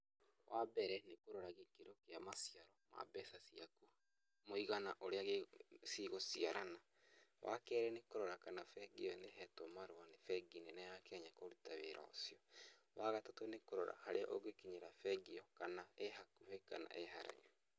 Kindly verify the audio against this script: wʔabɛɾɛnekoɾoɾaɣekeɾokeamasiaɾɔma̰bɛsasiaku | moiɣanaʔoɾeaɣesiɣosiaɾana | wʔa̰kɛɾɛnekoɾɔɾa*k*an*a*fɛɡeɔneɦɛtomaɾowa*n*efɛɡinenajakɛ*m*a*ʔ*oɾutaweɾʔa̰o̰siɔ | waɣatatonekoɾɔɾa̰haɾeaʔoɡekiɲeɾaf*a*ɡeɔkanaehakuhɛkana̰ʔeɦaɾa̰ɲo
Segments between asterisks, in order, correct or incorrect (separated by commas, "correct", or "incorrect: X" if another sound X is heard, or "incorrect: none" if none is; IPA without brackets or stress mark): correct, correct, correct, incorrect: ɲ, incorrect: k, incorrect: ɛ